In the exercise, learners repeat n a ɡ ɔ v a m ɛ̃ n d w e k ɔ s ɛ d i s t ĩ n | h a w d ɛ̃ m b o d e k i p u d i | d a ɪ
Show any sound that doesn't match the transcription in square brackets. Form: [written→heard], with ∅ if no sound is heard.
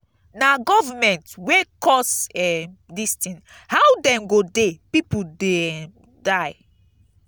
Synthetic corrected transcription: n a ɡ ɔ v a m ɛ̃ n [d→t] w e k ɔ s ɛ d i s t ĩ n | h a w d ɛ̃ m [b→ɡ] o d e [k→p] i p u d [i→e] | d a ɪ